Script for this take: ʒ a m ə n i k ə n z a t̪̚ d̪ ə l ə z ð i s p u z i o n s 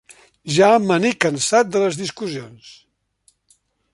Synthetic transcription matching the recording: ʒ a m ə n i k ə n s a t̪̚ d̪ ə l ə z ð i s k u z i o n s